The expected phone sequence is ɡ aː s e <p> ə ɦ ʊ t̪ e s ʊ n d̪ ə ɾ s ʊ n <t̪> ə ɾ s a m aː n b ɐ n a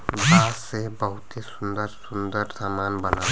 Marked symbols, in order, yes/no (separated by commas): no, no